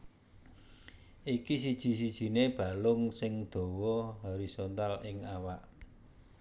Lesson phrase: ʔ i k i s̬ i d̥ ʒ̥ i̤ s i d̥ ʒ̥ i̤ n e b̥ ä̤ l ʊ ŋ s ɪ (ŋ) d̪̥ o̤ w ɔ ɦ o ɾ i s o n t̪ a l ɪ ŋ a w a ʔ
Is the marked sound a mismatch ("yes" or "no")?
no